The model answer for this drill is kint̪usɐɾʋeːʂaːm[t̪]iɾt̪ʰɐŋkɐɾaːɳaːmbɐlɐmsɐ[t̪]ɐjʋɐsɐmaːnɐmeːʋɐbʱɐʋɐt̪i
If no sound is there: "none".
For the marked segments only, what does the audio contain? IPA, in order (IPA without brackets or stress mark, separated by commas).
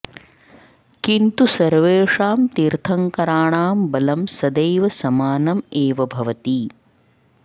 t̪, d̪